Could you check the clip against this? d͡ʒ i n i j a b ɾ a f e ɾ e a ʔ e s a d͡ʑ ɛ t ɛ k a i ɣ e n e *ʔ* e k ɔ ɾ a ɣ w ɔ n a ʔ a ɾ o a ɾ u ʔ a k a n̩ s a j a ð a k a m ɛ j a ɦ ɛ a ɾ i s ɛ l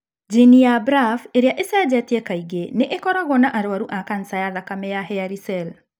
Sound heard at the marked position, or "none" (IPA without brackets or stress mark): ʔ